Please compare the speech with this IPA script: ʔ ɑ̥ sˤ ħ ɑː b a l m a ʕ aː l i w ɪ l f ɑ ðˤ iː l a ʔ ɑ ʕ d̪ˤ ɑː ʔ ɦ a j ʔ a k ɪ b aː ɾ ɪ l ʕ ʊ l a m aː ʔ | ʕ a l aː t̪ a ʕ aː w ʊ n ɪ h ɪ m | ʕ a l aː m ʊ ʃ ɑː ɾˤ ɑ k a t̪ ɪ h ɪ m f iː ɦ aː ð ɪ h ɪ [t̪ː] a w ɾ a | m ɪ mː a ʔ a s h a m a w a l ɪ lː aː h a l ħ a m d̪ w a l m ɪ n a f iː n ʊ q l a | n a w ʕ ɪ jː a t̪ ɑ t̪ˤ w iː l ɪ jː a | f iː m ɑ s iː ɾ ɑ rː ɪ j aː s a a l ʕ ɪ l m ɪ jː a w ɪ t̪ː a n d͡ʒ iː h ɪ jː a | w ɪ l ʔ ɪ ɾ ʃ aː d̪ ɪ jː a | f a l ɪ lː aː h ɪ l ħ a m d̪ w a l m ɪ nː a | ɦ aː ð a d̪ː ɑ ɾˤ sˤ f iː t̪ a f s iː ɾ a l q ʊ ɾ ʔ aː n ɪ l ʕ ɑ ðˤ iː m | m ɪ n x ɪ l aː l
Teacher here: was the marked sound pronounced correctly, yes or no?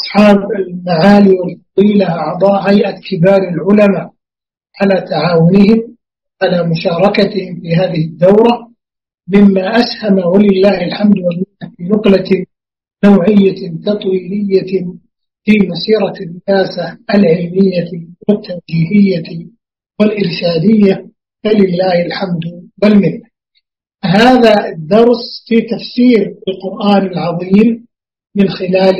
no